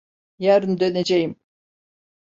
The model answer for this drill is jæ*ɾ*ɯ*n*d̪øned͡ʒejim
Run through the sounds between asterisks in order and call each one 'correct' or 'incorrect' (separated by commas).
correct, correct